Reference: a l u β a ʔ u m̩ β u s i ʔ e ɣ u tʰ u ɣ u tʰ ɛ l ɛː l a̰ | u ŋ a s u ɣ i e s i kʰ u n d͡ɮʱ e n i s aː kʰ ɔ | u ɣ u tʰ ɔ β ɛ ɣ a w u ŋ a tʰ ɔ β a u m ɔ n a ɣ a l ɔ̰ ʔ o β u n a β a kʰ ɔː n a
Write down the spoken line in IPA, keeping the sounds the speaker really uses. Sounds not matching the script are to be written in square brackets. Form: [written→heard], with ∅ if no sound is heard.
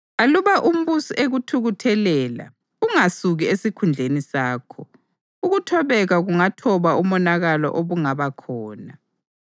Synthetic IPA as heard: a l u β a ʔ u m̩ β u s i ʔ e ɣ u tʰ u ɣ u tʰ ɛ l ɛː l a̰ | u ŋ a s u ɣ i e s i kʰ u n d͡ɮʱ e n i s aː kʰ ɔ | u ɣ u tʰ ɔ β ɛ ɣ a [w→ɣ] u ŋ a tʰ ɔ β a u m ɔ n a ɣ a l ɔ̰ ʔ o β u [n→ŋ] a β a kʰ ɔː n a